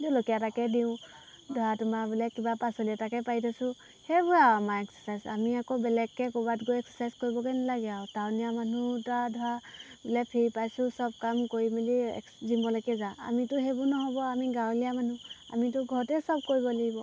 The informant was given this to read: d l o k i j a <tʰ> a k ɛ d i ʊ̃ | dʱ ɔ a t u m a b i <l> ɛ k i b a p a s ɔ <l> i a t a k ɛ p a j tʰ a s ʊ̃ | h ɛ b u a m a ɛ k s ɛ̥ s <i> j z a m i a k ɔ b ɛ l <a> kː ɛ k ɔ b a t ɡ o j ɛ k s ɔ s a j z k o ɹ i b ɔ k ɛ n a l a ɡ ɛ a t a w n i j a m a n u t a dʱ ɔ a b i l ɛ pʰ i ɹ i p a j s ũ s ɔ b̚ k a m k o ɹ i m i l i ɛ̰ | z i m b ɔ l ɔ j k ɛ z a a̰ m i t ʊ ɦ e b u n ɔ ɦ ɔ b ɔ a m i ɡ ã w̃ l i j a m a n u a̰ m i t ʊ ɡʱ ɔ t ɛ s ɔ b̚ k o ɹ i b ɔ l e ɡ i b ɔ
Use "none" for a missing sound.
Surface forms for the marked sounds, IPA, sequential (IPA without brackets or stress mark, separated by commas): t, l, l, a, ɛ